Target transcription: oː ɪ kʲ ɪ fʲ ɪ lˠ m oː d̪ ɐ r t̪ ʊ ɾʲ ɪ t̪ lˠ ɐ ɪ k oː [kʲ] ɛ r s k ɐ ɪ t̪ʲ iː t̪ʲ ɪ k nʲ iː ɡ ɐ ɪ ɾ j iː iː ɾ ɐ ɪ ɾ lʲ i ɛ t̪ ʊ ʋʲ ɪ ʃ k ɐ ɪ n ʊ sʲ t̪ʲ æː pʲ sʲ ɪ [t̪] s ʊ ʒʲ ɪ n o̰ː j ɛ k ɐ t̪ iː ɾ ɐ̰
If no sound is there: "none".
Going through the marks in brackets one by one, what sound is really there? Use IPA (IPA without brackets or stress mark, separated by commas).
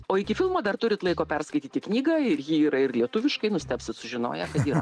pʲ, t̪